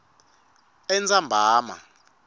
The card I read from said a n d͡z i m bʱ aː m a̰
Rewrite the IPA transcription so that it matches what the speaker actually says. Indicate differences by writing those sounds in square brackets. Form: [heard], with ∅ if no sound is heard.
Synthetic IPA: [ɛ] n d͡z [a] m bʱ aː m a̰